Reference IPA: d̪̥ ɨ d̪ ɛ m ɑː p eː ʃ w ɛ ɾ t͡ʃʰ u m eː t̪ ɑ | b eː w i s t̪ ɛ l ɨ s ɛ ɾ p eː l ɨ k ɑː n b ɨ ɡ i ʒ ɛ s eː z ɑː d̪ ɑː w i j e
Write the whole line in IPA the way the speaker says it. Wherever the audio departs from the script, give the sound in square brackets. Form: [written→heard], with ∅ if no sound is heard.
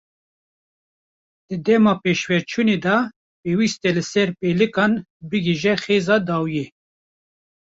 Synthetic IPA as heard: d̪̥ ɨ d̪ ɛ m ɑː p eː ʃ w ɛ ɾ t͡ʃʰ u [m→n] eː [t̪→d̪] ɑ | [b→p] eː w i s t̪ ɛ l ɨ s ɛ ɾ p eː l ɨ k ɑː n b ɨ ɡ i ʒ ɛ [s→x] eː z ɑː d̪ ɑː w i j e